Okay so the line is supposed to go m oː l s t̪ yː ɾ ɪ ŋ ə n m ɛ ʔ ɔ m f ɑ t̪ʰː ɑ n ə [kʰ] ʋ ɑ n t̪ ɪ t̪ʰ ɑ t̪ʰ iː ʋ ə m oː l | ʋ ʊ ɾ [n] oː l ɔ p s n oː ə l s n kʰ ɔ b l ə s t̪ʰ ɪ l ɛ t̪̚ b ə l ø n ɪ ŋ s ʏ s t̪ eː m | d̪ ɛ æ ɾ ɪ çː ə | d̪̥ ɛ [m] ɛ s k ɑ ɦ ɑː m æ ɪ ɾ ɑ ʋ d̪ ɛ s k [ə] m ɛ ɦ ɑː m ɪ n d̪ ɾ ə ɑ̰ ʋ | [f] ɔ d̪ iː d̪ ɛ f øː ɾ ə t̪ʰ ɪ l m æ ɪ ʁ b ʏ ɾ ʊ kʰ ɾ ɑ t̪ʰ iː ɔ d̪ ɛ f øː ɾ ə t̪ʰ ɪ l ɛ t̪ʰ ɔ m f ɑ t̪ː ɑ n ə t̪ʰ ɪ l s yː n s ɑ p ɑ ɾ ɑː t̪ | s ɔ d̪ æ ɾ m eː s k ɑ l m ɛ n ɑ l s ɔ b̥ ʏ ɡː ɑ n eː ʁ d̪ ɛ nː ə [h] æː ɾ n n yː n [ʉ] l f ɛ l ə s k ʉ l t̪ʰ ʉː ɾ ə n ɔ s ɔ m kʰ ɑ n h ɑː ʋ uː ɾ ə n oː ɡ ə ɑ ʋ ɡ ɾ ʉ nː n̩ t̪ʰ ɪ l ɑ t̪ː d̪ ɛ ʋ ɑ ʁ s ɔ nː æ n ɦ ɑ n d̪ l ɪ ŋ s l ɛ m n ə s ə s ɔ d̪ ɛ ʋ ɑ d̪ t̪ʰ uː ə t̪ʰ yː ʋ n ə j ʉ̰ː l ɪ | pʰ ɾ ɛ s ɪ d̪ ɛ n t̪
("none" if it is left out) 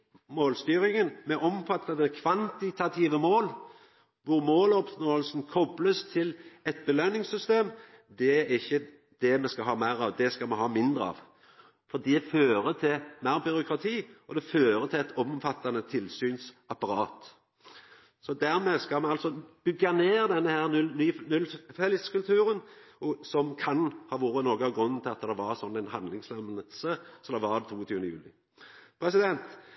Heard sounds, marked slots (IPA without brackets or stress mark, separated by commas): kʰ, m, m, ɑ, f, h, ʉ